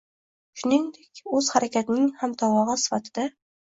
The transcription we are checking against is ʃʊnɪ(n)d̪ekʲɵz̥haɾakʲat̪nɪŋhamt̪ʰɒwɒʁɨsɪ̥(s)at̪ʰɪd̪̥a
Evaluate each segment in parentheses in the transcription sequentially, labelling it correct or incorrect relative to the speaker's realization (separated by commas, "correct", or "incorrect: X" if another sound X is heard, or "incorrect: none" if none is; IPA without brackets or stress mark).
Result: incorrect: ŋ, incorrect: f